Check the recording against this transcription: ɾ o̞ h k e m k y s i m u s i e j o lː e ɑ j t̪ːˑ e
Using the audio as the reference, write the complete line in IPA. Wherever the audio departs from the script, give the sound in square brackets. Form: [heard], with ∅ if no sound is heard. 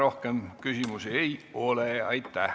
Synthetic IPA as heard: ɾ o̞ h k e m k y s i m u s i e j o [l] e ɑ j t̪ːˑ [æ]